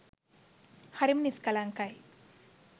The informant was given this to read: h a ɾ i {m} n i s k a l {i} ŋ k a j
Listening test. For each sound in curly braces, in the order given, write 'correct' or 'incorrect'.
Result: correct, incorrect: a

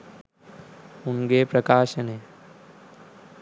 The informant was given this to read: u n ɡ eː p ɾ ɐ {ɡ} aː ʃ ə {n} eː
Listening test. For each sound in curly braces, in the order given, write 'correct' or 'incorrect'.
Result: incorrect: k, correct

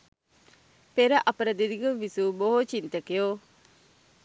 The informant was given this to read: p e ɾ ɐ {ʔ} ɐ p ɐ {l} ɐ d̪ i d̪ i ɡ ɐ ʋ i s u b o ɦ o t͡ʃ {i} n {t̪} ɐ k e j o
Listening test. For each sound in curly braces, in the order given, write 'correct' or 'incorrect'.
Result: correct, incorrect: ɾ, correct, correct

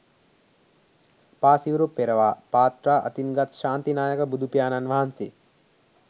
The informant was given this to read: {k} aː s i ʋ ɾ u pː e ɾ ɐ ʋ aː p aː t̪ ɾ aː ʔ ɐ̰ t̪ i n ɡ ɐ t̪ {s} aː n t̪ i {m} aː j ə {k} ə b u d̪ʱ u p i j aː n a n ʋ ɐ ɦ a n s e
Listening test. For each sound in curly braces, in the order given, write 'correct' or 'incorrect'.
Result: incorrect: p, incorrect: ʃ, incorrect: n, correct

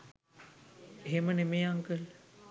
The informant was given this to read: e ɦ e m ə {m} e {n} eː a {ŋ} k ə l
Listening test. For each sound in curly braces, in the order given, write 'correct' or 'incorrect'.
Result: incorrect: n, incorrect: m, correct

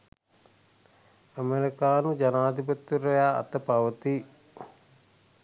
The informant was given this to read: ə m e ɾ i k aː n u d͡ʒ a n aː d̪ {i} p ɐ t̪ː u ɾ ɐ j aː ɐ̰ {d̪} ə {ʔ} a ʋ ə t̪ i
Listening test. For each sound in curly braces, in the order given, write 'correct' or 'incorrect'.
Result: correct, incorrect: t̪, incorrect: p

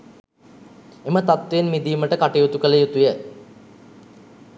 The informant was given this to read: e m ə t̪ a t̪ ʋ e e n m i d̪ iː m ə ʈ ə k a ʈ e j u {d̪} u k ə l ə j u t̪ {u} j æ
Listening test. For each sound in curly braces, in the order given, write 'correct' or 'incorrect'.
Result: incorrect: t̪, correct

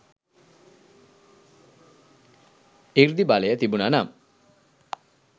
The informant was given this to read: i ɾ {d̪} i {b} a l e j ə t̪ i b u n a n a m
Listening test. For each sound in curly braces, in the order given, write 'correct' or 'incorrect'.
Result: correct, correct

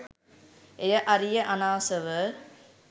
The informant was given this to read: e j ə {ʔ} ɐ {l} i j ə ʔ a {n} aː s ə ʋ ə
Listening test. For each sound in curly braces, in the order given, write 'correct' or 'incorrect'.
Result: correct, incorrect: ɾ, correct

